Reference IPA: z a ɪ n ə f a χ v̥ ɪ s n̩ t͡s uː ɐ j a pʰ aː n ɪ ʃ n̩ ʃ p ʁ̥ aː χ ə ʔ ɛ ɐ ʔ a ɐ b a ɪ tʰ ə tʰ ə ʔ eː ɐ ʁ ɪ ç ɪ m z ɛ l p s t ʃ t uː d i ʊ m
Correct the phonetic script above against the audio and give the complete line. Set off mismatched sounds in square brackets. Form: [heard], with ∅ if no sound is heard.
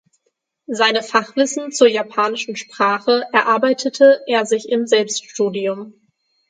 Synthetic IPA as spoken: z a ɪ n ə f a χ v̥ ɪ s n̩ t͡s uː ɐ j a pʰ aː n ɪ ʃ n̩ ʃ p ʁ̥ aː χ ə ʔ ɛ ɐ ʔ a ɐ b a ɪ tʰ ə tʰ ə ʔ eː ɐ [z] ɪ ç ɪ m z ɛ l p s t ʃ t uː d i ʊ m